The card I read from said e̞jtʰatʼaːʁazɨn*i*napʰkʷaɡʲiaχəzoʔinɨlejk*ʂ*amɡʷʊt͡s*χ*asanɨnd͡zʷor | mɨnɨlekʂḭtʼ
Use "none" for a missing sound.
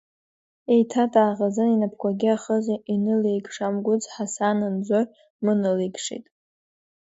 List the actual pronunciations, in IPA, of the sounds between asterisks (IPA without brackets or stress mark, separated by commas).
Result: i, ʂ, ħ